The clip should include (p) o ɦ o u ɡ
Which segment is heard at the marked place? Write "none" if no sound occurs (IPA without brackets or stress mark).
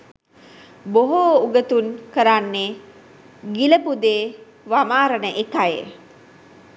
b